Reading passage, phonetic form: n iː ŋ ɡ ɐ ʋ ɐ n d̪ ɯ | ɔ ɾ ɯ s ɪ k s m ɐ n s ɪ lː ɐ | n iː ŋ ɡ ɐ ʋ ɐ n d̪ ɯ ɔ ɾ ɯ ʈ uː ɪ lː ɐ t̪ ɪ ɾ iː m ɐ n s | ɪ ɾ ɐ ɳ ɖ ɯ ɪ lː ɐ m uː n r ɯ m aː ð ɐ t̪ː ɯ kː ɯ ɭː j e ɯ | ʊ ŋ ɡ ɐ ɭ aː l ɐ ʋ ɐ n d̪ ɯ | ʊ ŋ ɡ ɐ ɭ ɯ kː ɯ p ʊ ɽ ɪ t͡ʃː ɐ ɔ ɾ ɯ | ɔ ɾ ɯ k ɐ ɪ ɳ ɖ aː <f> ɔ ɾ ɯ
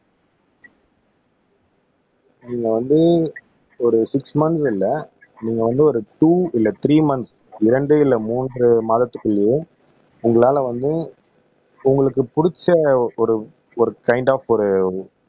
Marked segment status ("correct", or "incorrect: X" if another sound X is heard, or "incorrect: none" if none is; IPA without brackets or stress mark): correct